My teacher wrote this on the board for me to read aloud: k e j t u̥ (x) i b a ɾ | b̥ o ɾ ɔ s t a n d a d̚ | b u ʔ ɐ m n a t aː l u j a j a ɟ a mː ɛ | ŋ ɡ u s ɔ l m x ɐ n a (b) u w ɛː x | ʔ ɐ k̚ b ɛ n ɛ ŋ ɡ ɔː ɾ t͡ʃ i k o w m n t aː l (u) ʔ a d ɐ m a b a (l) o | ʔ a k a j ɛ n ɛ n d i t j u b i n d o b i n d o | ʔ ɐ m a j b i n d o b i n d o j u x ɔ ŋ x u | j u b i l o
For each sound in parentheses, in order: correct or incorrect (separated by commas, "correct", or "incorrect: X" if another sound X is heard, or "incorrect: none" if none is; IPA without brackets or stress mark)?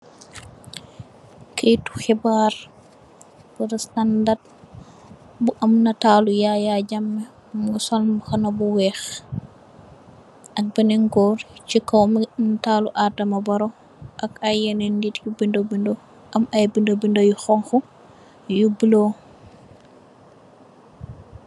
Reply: correct, correct, correct, incorrect: ɾ